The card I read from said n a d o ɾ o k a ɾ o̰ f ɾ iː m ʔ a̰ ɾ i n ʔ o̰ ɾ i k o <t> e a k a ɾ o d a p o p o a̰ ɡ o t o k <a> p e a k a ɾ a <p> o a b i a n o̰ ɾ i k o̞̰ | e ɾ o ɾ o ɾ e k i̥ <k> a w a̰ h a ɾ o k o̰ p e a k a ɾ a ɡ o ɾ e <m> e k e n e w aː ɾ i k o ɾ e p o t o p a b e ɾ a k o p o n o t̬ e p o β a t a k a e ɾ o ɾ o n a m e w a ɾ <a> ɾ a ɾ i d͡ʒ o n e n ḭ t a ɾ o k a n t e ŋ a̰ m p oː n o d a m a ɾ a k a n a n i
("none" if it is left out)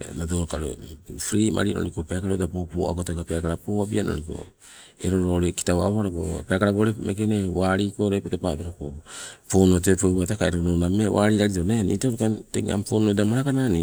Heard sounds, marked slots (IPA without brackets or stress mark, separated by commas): p, a, p, t, m, i